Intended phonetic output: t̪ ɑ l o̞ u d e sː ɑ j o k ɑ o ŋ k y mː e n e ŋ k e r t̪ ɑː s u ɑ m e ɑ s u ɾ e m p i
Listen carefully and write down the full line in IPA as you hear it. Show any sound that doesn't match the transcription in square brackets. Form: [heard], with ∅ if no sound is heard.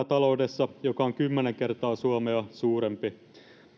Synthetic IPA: t̪ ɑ l o̞ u d e sː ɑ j o k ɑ o ŋ k y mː e n e ŋ k e r t̪ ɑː s u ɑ m e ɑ s [uː] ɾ e m p i